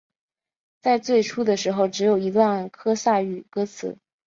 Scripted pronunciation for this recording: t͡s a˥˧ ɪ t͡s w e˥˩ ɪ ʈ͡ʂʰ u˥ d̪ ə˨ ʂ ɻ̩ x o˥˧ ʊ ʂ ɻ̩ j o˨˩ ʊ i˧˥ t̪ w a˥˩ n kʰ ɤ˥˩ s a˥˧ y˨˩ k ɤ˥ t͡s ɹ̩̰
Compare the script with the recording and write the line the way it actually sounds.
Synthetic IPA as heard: t͡s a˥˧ ɪ t͡s w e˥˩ ɪ ʈ͡ʂʰ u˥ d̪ ə˨ ʂ ɻ̩ x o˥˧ ʊ ʈ͡ʂ ɻ̩ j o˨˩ ʊ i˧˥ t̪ w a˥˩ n kʰ ɤ˥ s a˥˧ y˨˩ k ɤ˥ t͡sʰ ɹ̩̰